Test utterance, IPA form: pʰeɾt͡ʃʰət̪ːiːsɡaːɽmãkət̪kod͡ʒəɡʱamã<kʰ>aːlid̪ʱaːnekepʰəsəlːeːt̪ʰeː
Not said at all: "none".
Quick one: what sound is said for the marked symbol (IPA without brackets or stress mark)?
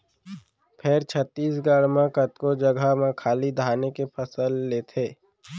kʰ